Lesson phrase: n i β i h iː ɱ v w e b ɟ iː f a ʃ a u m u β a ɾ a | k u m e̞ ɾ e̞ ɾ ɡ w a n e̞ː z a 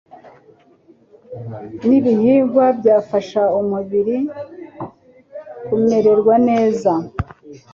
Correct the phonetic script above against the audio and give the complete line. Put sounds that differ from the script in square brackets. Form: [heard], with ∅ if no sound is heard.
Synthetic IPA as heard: n i β i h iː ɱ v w [a] b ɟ [aː] f a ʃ a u m u β [i] ɾ [i] | k u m e̞ ɾ e̞ ɾ ɡ w a n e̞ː z a